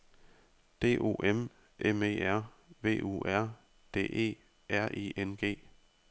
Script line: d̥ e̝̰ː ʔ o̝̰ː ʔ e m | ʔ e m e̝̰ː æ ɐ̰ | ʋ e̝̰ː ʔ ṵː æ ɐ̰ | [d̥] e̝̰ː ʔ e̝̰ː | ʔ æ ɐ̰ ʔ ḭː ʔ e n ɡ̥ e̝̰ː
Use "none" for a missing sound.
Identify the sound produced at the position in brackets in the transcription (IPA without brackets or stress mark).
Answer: d̥